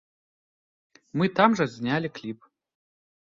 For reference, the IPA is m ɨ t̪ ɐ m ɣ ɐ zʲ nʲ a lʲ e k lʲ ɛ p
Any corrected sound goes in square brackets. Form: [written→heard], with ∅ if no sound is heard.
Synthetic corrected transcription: m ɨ t̪ [ɐ→a] m [ɣ→ʐ] ɐ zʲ nʲ a lʲ [e→i] k lʲ [ɛ→i] p